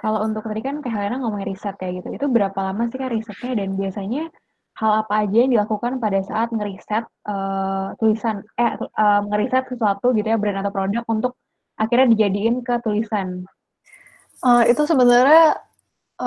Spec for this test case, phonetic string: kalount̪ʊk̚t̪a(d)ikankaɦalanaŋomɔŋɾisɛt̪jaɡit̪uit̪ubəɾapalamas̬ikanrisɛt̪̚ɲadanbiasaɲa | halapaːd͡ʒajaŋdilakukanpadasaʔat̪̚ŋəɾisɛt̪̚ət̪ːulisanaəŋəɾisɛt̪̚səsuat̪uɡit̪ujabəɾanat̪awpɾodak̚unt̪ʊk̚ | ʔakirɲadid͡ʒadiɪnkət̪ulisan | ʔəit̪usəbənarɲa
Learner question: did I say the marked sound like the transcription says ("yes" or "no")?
yes